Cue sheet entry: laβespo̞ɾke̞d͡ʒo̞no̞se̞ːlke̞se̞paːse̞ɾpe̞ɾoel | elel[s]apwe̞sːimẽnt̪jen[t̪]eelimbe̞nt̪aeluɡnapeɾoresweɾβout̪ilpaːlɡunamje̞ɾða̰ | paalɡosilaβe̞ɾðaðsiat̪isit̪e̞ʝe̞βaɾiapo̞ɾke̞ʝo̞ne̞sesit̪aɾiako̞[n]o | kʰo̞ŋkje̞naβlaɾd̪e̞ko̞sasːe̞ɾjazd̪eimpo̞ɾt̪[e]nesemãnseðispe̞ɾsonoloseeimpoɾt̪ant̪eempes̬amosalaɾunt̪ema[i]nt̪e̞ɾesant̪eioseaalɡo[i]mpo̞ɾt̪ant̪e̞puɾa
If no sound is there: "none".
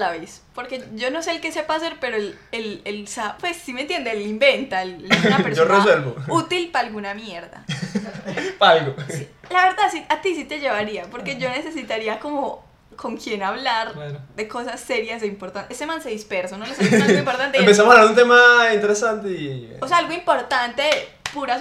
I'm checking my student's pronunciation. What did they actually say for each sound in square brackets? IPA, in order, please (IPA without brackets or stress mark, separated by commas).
s, d̪, m, a, i, i